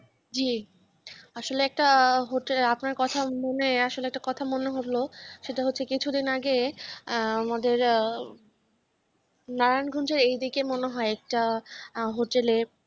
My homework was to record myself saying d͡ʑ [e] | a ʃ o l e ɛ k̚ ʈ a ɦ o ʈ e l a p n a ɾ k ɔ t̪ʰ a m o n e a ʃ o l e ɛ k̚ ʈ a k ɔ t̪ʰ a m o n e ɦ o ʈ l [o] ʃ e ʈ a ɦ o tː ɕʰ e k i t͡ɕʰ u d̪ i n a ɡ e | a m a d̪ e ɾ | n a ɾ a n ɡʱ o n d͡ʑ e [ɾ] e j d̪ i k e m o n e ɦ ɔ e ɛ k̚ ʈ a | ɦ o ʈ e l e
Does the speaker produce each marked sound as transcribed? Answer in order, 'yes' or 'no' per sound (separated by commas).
no, yes, yes